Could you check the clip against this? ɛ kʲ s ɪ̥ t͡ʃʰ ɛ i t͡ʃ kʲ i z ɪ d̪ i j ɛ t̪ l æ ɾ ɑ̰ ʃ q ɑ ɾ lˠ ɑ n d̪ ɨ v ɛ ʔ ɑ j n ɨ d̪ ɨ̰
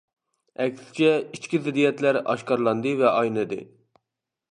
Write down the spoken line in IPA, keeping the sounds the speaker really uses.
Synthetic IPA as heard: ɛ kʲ s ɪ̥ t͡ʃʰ ɛ i t͡ʃ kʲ i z ɪ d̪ i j ɛ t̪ l æ ɾ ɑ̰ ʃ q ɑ ɾ lˠ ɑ n d̪ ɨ v ɛ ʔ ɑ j n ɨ d̪ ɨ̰